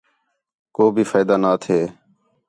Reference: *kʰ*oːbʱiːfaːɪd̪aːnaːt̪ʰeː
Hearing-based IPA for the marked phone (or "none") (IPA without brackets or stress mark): k